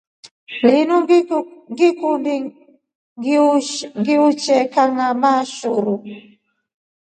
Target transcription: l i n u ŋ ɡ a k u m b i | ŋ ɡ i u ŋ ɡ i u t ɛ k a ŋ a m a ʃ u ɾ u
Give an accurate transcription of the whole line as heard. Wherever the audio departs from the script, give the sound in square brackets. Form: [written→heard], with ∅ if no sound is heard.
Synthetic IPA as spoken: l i n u ŋ ɡ [a→i] k u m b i | ŋ ɡ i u ŋ ɡ i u [t→t͡ʃ] ɛ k a ŋ a m a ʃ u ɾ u